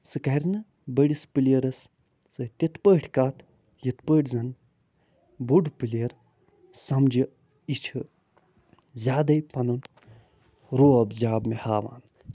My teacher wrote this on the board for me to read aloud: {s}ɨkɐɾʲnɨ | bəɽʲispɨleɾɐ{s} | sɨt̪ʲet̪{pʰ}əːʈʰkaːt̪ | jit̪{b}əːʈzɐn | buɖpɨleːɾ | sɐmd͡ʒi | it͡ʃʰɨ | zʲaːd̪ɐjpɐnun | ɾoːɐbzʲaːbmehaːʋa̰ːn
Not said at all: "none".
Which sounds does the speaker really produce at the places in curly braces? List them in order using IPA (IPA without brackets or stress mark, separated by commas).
s, s, p, p